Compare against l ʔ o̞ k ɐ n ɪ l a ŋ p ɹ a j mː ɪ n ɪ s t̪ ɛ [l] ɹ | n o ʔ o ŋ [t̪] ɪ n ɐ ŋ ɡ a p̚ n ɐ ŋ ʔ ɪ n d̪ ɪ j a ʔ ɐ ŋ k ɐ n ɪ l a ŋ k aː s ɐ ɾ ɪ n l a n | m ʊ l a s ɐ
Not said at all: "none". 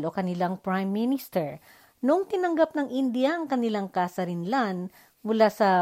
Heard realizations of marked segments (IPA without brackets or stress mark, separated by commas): none, t̪